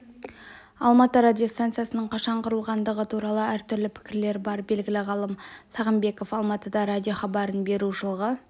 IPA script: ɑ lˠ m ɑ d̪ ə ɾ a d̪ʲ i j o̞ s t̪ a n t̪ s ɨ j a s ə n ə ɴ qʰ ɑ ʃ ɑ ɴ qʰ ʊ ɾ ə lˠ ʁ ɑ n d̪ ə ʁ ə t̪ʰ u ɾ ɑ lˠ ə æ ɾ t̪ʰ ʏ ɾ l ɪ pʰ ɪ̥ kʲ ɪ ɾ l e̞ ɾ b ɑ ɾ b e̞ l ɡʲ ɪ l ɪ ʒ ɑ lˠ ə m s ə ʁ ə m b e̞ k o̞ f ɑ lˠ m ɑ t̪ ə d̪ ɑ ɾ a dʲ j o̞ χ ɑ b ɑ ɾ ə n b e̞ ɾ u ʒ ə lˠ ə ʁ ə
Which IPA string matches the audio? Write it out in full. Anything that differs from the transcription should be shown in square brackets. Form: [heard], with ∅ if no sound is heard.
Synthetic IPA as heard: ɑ lˠ m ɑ [t̪] ə ɾ a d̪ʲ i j o̞ s t̪ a n t̪ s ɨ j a s ə n ə ɴ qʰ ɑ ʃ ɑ ɴ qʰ ʊ ɾ ə lˠ ʁ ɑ n d̪ ə ʁ ə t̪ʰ u ɾ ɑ lˠ ə æ ɾ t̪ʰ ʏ ɾ l ɪ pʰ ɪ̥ kʲ ɪ ɾ l e̞ ɾ b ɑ ɾ b e̞ l ɡʲ ɪ l ɪ [ʁ] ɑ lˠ ə m s [ɑ] ʁ ə m b e̞ k o̞ f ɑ lˠ m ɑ t̪ ə d̪ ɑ ɾ a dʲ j o̞ χ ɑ b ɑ ɾ ə n b e̞ ɾ u ʒ ə lˠ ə ʁ ə